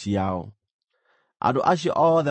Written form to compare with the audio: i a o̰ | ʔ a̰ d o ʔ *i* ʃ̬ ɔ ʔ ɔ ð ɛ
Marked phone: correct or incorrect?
incorrect